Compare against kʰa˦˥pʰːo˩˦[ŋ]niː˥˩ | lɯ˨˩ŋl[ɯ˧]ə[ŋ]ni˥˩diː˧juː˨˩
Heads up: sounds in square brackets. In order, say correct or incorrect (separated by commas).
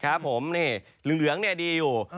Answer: incorrect, incorrect, correct